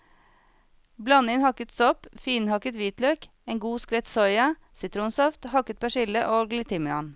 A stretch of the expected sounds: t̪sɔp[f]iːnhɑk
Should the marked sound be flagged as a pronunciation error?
no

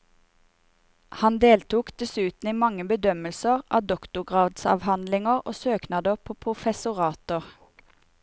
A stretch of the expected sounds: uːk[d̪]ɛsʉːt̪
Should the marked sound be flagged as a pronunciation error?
no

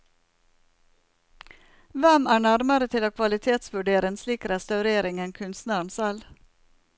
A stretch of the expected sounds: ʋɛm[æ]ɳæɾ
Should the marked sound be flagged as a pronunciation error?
yes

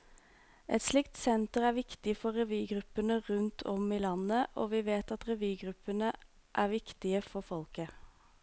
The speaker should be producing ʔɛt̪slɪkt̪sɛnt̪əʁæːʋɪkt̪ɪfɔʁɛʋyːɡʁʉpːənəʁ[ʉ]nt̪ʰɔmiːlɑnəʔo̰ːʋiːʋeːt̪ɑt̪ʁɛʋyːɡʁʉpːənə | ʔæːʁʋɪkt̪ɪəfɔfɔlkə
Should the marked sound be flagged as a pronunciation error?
no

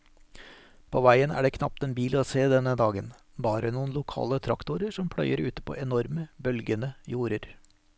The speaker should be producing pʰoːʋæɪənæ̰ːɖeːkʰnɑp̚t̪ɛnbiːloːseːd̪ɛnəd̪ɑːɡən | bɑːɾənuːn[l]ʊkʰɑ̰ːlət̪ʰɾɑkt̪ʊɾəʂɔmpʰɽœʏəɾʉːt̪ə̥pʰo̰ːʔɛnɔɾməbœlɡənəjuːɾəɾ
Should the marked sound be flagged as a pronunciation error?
no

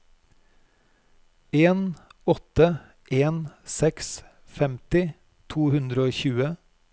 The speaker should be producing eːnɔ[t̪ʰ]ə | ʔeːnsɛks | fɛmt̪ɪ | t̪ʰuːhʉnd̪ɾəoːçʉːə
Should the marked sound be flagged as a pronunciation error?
yes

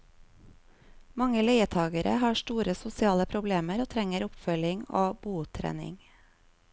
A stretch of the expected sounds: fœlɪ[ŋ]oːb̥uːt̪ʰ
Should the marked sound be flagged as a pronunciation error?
no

